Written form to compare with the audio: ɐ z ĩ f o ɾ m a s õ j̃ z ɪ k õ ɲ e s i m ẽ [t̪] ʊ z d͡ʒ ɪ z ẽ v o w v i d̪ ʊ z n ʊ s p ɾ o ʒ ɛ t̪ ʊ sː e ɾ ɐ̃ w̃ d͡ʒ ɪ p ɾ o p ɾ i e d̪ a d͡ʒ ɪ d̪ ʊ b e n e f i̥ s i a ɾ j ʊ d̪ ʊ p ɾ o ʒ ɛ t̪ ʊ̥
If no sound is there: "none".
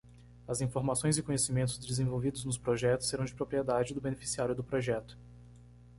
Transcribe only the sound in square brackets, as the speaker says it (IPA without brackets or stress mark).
t̪